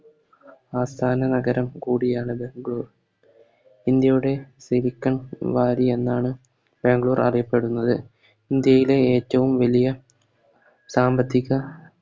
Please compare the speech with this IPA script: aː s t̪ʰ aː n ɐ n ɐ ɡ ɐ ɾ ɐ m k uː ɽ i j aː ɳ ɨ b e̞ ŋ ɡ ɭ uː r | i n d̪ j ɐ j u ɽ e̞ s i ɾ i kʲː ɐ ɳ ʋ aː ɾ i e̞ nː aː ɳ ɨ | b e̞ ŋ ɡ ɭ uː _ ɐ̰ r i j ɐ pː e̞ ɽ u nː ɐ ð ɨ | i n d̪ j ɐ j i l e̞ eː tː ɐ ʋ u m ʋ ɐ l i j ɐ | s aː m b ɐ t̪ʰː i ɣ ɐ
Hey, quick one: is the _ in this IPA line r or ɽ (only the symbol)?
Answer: r